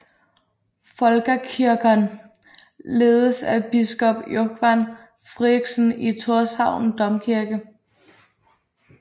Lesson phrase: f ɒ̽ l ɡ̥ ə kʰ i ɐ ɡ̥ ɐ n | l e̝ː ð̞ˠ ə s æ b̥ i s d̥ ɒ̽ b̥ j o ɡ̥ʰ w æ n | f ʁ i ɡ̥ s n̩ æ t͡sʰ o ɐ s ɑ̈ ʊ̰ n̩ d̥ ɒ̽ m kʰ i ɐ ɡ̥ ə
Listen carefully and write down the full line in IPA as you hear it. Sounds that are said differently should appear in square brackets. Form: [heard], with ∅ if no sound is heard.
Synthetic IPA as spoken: f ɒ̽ l ɡ̥ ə kʰ i ɐ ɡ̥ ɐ n | l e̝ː ð̞ˠ ə s æ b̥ i s [ɡ̥] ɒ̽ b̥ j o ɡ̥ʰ [ʋ] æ n | f ʁ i ɡ̥ s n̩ [i] t͡sʰ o ɐ s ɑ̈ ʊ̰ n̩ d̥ ɒ̽ m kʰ i ɐ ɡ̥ ə